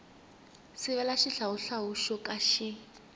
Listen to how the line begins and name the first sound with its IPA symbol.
s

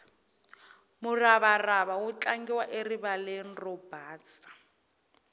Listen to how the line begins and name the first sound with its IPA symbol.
m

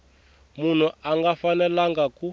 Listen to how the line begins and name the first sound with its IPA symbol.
m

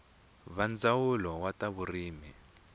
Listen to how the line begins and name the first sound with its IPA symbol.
β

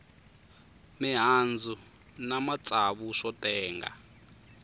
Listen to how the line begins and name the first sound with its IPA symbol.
m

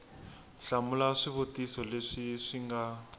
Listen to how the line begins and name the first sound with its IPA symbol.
ɬ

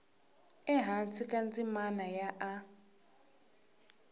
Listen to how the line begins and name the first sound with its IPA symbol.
ɛ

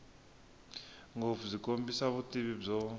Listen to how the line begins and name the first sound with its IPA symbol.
ŋ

